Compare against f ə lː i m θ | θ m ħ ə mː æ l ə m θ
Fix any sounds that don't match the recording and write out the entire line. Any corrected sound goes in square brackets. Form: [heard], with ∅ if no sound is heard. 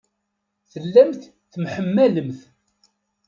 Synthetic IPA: [θ] ə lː [æ] m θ | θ m ħ ə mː æ l ə m θ